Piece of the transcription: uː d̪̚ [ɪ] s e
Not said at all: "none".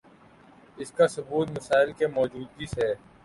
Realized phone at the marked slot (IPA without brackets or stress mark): i